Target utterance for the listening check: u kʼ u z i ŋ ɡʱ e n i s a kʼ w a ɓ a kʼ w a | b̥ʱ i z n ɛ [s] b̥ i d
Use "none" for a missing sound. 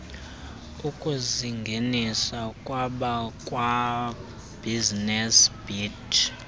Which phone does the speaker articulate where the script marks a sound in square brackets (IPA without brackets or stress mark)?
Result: s